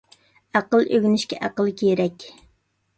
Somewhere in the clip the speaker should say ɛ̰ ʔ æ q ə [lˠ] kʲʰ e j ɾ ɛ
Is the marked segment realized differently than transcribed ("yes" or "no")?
no